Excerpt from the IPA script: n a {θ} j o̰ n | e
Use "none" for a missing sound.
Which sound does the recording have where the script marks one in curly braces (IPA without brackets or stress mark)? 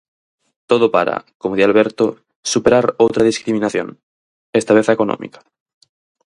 θ